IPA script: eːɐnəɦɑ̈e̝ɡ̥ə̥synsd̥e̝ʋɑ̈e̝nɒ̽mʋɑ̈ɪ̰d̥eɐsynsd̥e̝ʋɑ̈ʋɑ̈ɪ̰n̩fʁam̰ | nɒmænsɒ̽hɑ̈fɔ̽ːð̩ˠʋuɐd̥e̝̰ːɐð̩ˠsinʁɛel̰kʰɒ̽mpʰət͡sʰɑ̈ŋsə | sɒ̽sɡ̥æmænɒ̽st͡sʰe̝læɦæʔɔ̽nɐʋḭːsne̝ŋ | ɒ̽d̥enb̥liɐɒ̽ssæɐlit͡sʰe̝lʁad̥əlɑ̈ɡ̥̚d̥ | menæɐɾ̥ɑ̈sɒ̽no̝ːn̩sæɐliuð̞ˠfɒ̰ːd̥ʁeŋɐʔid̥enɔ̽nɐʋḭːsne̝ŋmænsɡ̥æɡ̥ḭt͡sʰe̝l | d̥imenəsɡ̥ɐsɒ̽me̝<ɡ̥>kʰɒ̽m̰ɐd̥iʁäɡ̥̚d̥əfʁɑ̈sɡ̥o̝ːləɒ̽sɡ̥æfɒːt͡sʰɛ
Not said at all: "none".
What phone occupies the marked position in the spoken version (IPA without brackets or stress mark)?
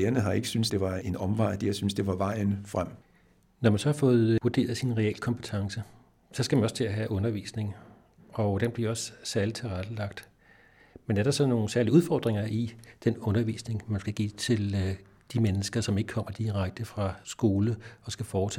ɡ̥